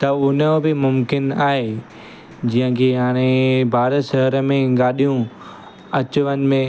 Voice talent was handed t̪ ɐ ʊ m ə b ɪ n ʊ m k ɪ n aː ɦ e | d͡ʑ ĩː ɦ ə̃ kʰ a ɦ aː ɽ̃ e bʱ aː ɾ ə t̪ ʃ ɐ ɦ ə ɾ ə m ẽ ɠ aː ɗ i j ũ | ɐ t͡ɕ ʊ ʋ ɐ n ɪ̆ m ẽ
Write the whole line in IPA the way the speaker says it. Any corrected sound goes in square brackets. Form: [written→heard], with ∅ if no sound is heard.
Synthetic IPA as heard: t̪ ɐ ʊ [m→n] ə b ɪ [n→m] ʊ m k ɪ n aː ɦ e | d͡ʑ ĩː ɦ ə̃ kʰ [a→e] ɦ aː ɽ̃ e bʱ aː ɾ ə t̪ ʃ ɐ ɦ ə ɾ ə m ẽ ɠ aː ɗ i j ũ | ɐ t͡ɕ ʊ ʋ [ɐ→ə] n ɪ̆ m ẽ